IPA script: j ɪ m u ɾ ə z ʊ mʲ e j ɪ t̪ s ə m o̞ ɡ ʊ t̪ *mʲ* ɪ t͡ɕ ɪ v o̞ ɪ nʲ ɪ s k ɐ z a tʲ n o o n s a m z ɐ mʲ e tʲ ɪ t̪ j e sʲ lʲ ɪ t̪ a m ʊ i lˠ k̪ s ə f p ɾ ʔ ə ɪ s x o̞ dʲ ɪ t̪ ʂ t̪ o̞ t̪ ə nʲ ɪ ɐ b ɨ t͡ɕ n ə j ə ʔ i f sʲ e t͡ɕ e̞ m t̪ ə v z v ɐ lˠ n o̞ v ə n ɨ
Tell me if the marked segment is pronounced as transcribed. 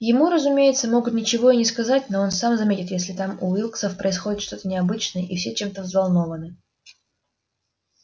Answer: no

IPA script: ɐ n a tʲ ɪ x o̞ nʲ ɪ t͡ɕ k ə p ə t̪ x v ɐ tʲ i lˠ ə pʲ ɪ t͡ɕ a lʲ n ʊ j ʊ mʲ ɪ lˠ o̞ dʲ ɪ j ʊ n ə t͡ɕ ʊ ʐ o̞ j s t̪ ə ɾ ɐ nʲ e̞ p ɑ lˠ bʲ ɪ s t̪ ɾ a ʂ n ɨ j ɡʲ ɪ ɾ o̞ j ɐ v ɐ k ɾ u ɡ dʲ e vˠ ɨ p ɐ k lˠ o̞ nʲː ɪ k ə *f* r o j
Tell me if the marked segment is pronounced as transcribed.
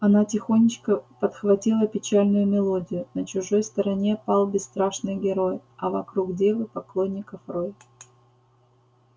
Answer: yes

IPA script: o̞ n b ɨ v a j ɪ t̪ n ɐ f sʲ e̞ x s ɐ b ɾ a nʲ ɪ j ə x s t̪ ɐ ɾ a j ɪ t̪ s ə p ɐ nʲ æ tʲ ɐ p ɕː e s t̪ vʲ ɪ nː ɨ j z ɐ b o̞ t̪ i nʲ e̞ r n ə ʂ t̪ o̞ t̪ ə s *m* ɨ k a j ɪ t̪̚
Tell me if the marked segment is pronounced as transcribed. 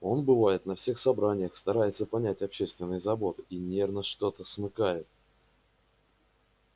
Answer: yes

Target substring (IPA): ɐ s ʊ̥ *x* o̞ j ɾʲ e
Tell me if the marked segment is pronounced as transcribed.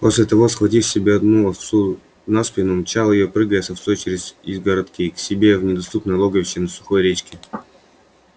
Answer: yes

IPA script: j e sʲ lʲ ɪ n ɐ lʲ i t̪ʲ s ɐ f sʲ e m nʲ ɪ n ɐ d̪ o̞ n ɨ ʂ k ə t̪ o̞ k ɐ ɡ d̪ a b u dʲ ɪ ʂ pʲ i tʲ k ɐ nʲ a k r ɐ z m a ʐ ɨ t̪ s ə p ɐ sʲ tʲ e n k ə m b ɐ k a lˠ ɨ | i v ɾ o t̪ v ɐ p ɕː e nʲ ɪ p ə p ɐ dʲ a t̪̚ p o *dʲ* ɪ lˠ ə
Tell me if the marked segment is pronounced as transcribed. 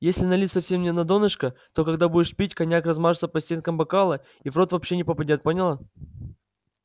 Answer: no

